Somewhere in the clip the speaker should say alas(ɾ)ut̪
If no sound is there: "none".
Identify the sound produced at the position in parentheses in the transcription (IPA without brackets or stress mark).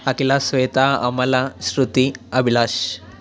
ɾ